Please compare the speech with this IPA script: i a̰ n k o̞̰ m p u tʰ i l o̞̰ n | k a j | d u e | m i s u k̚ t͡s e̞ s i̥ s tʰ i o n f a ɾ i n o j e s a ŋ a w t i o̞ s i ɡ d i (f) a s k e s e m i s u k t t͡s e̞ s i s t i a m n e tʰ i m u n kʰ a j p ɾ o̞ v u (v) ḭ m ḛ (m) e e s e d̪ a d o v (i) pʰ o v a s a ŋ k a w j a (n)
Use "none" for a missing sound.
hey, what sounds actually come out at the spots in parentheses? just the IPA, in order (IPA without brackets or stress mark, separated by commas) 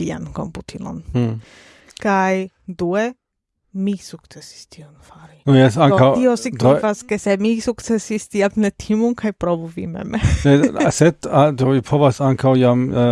f, v, m, i, m